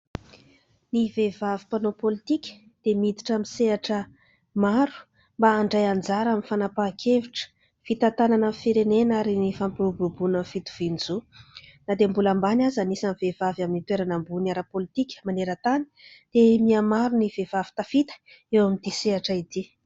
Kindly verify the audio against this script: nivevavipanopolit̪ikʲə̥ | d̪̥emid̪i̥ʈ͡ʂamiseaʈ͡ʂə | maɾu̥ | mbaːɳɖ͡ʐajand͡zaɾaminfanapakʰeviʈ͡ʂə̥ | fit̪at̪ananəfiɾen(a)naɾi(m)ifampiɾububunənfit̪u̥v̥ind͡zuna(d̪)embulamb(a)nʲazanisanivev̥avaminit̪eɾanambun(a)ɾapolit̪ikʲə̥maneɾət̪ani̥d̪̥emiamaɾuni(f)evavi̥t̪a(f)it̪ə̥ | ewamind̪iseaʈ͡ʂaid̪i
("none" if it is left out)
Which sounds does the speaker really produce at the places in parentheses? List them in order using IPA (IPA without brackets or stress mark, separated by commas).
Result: e, n, d̪, a, a, v, f